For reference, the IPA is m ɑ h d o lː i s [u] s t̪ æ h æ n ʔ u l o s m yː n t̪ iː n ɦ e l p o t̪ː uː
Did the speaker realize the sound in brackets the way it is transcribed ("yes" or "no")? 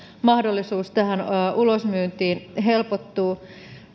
no